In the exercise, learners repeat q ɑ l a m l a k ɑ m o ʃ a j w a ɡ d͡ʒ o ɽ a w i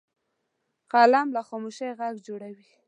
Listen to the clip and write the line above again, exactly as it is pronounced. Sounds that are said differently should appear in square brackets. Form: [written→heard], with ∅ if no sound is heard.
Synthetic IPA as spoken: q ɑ l a m l a [k→x] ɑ m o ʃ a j [w→ɣ] a ɡ d͡ʒ o ɽ a w i